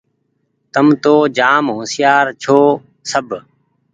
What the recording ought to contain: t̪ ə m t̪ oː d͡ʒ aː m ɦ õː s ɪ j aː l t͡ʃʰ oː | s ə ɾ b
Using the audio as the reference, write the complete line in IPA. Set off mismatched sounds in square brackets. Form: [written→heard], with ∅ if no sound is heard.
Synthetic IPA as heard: t̪ ə m t̪ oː d͡ʒ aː m ɦ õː s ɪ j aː [l→ɾ] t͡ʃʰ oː | s ə [ɾ→∅] b